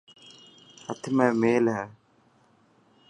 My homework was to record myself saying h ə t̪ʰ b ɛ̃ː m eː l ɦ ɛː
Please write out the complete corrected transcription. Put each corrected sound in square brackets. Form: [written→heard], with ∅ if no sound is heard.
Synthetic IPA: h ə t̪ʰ [b→m] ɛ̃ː m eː l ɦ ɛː